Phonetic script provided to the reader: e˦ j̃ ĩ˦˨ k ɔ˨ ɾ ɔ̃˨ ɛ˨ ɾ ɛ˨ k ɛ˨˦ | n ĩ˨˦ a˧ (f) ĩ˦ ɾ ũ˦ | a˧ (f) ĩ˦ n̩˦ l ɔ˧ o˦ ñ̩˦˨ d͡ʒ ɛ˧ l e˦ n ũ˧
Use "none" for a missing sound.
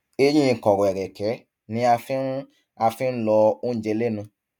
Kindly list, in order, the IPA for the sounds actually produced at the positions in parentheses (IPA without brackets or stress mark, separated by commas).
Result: f, f